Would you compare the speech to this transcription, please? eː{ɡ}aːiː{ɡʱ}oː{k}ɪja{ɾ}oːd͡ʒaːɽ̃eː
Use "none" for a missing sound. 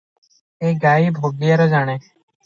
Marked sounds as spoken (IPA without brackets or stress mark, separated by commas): ɡ, bʱ, ɡ, ɾ